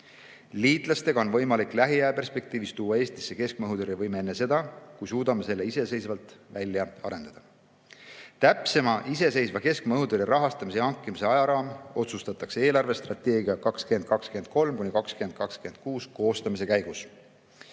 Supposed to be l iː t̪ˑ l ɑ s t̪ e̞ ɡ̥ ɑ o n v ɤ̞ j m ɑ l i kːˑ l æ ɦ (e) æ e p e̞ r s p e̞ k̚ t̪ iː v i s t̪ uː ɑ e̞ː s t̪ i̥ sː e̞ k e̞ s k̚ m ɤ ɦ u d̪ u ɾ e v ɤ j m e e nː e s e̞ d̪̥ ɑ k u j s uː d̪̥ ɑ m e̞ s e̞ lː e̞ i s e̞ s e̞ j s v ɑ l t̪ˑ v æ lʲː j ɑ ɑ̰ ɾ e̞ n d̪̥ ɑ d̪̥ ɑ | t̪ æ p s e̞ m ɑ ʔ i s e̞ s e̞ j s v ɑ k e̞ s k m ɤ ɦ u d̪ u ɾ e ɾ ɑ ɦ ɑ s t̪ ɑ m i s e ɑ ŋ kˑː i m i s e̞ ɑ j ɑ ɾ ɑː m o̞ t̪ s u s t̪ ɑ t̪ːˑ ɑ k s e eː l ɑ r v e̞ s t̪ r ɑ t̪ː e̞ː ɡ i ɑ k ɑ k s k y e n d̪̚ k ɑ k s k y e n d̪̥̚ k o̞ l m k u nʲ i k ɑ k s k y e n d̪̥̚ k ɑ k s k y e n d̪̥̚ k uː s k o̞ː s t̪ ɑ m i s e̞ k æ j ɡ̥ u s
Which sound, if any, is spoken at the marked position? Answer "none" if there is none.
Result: i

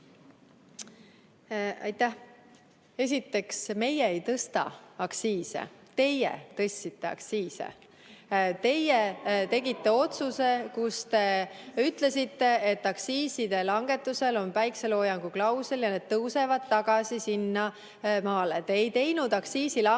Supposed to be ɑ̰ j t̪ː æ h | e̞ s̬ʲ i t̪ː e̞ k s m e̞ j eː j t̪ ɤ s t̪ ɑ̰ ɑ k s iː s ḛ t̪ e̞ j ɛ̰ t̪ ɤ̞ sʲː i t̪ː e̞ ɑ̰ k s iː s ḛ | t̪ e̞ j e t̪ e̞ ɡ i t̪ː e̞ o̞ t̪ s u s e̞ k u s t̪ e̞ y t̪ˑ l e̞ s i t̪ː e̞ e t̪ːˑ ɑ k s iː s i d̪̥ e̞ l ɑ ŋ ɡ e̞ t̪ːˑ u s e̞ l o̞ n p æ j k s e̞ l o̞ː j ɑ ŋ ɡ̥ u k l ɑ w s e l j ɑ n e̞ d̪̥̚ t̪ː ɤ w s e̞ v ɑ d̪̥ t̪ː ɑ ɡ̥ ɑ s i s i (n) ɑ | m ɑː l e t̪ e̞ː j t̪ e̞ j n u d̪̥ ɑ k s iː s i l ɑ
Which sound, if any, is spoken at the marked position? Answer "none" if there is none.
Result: nː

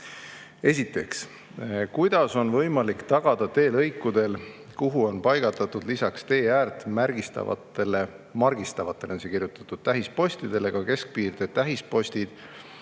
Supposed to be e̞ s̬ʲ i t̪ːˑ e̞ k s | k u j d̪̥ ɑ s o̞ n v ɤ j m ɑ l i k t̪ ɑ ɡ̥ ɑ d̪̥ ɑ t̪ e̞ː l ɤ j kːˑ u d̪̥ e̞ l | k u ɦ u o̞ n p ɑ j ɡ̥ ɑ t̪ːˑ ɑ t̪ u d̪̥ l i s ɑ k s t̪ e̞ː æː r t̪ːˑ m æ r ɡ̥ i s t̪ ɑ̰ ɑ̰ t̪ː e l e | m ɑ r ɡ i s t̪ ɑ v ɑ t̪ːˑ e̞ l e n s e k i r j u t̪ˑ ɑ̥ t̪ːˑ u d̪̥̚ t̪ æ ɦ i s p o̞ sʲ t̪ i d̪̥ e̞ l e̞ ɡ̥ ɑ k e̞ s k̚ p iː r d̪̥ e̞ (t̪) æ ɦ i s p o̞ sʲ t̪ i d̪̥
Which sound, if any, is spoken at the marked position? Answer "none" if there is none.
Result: t̪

